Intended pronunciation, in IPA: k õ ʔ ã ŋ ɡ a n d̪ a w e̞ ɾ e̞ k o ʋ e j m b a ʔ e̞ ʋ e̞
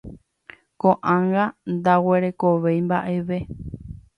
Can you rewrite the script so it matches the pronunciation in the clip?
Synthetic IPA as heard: k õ ʔ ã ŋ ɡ a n d̪ a w e̞ ɾ e̞ k o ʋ e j m b a ʔ e̞ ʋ e̞